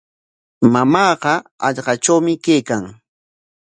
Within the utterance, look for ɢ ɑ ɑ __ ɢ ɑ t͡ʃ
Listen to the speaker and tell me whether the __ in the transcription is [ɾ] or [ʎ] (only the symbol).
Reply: ʎ